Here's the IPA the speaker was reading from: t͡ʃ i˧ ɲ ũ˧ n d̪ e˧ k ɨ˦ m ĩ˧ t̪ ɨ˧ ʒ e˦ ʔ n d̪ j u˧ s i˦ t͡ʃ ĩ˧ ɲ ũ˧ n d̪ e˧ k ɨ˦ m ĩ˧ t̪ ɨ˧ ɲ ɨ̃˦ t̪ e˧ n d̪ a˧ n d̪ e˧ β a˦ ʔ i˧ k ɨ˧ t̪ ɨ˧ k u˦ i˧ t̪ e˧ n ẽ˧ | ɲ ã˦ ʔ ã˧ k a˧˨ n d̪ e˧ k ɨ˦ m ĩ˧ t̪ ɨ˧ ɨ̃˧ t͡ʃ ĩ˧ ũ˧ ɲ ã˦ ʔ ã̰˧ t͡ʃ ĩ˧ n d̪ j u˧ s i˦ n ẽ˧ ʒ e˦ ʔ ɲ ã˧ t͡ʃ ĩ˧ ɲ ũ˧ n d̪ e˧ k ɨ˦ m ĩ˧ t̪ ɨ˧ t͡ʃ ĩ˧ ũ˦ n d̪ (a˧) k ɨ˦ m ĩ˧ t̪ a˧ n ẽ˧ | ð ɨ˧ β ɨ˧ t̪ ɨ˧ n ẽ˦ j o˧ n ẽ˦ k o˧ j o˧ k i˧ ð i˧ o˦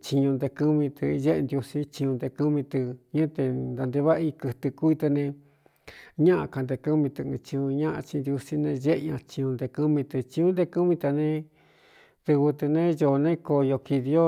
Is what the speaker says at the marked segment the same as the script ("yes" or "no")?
no